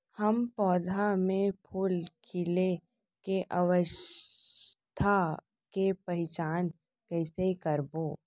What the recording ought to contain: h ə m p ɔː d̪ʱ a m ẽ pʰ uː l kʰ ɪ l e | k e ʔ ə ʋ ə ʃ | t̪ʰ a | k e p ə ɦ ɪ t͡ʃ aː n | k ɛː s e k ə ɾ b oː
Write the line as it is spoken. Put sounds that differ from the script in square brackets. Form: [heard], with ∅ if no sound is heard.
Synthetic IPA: h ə m p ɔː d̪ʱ a m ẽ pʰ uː l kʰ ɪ l e | k e ʔ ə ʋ ə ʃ | t̪ʰ a | k e p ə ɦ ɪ t͡ʃ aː n | k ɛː s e k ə ɾ b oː